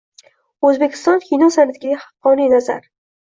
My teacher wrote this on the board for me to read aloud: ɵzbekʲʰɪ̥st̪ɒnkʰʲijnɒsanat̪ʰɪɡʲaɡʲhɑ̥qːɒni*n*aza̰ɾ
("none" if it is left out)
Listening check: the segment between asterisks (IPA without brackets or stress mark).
n